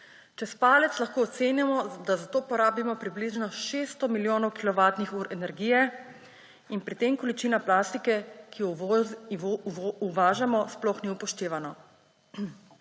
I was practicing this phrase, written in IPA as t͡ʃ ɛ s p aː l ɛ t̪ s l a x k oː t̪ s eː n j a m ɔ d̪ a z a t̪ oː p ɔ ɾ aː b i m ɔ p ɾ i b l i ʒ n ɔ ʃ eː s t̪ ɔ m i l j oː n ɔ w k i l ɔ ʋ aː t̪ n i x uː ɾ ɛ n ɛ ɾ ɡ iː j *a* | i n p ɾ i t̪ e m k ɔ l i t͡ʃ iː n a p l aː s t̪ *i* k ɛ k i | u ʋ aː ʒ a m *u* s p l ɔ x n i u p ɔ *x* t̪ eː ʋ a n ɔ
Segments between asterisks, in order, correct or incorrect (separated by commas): incorrect, correct, incorrect, incorrect